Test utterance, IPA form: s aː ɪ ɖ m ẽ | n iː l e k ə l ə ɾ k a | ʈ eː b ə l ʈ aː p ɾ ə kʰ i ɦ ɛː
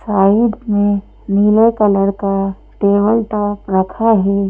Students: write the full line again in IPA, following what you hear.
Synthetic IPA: s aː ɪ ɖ m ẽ | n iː l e k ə l ə ɾ k a | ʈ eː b ə l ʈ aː p ɾ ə kʰ a ɦ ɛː

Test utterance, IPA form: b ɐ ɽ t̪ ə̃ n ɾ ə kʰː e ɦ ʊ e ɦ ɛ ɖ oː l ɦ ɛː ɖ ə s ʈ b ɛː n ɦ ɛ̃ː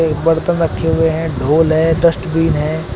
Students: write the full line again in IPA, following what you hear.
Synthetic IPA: b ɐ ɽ t̪ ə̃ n ɾ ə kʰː e ɦ ʊ e ɦ ɛ̃ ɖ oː l ɦ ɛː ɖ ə s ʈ b iː n ɦ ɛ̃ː

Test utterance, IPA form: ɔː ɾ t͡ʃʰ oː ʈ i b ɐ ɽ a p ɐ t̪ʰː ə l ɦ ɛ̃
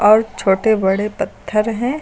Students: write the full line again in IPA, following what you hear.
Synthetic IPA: ɔː ɾ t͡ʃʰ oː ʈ e b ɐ ɽ e p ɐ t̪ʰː ə ɾ ɦ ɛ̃

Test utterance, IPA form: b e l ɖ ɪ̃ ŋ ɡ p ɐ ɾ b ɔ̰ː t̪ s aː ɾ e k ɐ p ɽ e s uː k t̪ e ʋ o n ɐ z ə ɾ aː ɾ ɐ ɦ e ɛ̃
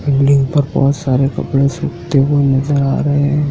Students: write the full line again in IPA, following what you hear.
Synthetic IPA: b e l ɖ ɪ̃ ŋ ɡ p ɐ ɾ b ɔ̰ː t̪ s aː ɾ e k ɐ p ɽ e s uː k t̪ e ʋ o n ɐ z ə ɾ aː ɾ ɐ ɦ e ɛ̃

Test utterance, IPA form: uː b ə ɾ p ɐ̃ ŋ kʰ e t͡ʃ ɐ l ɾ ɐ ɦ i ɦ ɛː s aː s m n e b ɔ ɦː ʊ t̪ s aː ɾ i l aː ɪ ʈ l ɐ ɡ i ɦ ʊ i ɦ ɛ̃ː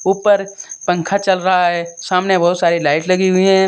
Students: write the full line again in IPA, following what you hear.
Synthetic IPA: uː p ə ɾ p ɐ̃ ŋ kʰ a t͡ʃ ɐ l ɾ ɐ ɦ a ɦ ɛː s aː m n e b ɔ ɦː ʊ t̪ s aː ɾ i l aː ɪ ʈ l ɐ ɡ i ɦ ʊ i ɦ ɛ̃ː

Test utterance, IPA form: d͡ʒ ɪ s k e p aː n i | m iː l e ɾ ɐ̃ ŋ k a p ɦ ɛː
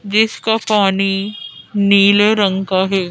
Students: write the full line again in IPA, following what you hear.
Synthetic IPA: d͡ʒ ɪ s k a p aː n i | n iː l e ɾ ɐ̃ ŋ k a ɦ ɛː

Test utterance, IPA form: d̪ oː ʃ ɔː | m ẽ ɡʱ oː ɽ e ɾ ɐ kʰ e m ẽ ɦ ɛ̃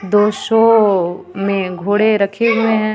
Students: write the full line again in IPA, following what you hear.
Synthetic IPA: d̪ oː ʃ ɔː | m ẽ ɡʱ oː ɽ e ɾ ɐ kʰ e m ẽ ɦ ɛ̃

